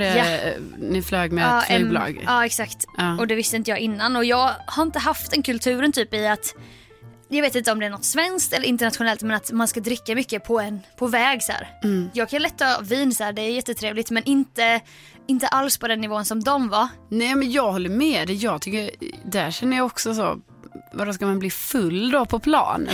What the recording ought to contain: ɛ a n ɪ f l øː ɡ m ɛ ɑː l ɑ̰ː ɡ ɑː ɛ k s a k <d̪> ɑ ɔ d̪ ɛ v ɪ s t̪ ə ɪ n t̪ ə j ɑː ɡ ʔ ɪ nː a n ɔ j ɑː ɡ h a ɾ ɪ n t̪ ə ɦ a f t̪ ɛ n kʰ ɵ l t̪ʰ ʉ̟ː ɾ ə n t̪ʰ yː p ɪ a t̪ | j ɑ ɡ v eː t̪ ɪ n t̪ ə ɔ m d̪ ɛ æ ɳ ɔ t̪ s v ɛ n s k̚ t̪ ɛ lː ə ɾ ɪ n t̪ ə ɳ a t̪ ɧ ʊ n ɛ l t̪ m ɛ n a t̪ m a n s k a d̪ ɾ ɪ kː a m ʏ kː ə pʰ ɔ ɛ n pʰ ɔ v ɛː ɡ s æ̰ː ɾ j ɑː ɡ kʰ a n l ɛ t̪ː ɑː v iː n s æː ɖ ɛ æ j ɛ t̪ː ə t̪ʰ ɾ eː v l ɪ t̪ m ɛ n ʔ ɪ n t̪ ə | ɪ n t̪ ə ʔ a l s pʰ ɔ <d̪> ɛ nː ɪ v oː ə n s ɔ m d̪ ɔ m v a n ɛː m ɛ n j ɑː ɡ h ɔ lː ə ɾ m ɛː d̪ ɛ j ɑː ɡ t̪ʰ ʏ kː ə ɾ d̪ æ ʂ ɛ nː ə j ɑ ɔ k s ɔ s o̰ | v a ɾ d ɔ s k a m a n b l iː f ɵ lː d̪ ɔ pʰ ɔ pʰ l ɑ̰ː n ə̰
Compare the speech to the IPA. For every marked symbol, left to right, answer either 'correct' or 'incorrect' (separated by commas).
incorrect, correct